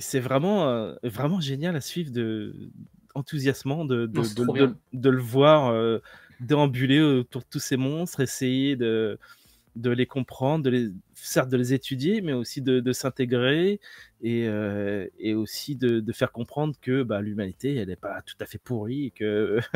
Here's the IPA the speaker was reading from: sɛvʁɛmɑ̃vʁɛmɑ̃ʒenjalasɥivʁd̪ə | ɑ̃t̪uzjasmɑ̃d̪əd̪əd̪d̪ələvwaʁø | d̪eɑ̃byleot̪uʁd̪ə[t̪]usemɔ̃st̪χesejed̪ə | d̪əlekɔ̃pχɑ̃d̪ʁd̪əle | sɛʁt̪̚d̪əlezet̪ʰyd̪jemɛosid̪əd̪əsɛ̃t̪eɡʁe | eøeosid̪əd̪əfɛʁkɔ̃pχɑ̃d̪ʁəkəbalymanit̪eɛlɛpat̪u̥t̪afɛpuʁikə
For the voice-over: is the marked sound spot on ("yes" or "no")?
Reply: yes